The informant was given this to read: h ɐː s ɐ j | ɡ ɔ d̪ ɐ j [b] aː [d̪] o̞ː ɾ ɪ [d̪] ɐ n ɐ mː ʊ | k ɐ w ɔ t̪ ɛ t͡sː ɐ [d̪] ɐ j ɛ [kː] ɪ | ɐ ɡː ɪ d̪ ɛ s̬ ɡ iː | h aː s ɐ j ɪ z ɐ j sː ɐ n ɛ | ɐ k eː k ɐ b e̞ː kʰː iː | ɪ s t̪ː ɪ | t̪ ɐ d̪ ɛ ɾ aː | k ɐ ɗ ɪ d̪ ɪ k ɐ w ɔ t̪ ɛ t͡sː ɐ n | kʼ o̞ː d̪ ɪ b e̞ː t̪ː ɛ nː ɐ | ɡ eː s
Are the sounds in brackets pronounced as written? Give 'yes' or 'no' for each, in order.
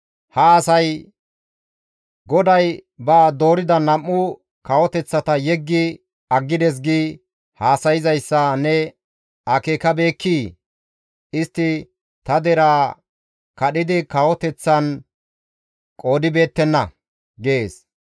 yes, yes, yes, no, no

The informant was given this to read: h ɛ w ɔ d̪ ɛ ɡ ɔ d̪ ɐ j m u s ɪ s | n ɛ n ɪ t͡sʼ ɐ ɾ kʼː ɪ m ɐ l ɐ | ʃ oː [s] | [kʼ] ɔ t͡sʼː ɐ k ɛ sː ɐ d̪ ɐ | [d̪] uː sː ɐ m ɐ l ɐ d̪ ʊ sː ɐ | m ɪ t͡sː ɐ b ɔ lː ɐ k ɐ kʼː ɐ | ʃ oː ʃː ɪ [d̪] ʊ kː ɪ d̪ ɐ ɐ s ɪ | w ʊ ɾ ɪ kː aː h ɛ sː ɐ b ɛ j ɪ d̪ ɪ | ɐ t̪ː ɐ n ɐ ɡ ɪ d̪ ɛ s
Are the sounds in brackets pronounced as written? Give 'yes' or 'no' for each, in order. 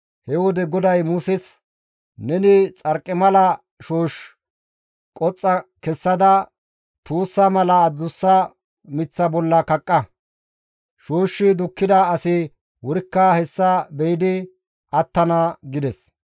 no, yes, no, yes

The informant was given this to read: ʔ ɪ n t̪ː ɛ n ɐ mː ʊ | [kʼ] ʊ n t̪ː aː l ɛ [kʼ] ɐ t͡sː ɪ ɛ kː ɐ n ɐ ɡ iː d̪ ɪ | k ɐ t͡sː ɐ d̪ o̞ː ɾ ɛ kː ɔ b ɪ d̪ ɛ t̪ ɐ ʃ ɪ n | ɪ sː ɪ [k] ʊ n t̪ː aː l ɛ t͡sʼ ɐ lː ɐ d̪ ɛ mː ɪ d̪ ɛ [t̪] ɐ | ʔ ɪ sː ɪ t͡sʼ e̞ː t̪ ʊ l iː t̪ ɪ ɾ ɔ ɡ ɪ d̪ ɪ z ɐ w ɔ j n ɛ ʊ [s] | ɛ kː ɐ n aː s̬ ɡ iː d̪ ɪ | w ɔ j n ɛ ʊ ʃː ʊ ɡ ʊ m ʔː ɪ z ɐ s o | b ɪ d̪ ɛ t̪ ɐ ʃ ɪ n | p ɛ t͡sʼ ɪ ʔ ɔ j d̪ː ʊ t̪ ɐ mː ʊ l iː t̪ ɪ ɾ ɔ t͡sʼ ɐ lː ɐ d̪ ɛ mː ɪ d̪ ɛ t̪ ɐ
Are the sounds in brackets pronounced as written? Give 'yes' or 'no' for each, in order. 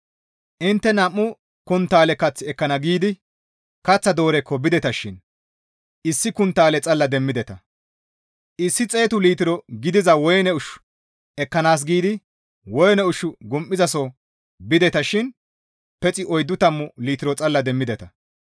no, no, yes, yes, no

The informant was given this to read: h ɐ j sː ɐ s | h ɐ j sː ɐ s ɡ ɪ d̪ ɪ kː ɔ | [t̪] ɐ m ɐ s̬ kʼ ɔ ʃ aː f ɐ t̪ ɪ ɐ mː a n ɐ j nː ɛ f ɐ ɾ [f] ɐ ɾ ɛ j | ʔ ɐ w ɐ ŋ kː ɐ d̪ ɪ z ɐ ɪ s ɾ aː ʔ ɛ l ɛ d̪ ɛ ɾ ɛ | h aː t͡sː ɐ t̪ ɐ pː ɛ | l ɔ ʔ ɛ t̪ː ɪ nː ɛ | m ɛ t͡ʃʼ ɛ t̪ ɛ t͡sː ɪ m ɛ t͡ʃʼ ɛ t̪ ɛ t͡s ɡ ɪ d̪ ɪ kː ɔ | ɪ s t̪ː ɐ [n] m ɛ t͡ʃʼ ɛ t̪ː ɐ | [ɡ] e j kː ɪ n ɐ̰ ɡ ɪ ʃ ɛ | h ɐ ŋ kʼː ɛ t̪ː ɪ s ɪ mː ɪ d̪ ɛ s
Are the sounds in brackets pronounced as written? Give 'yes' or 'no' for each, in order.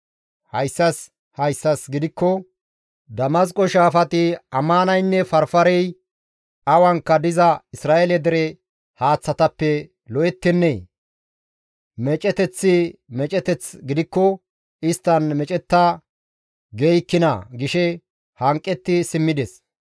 no, yes, yes, yes

